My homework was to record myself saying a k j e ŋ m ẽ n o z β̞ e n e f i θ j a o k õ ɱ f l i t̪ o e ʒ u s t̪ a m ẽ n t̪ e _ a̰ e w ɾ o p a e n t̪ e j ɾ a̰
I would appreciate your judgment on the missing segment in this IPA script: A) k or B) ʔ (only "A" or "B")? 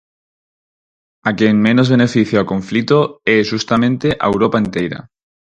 B